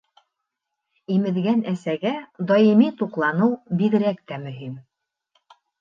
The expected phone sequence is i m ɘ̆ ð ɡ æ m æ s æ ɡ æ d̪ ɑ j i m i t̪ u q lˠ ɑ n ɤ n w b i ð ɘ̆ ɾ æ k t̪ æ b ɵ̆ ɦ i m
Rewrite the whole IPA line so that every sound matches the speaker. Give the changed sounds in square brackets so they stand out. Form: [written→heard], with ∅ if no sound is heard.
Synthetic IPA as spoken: i m ɘ̆ ð ɡ æ [m→n] æ s æ ɡ æ d̪ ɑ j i m i t̪ u q lˠ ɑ n ɤ [n→∅] w b i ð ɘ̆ ɾ æ k t̪ æ [b→m] ɵ̆ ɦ i m